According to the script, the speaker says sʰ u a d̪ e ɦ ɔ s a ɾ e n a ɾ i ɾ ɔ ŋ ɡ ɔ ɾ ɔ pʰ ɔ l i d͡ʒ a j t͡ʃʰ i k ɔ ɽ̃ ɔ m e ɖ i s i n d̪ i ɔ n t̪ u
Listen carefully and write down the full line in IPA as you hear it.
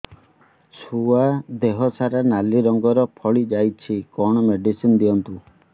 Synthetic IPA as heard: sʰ u a d̪ e ɦ ɔ s a ɾ a n a l i ɾ ɔ ŋ ɡ ɔ ɾ ɔ pʰ ɔ ɭ i d͡ʒ a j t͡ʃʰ i k ɔ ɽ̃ ɔ m e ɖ i s i n d̪ i ɔ n t̪ u